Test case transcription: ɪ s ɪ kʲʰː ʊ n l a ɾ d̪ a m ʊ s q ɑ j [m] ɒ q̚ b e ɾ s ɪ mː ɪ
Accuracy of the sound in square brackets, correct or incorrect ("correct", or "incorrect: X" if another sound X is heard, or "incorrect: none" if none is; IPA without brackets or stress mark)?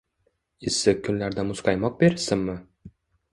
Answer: correct